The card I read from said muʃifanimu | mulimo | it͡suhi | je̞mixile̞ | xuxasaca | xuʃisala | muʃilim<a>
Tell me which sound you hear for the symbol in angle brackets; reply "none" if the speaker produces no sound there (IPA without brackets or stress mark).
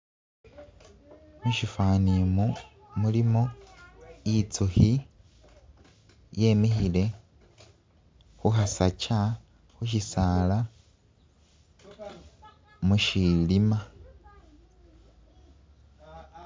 a